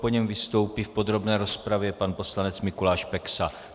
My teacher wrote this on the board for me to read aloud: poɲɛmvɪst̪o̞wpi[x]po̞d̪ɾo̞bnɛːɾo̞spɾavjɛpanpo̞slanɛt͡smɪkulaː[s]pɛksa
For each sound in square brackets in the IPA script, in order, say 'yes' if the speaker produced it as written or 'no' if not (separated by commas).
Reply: no, no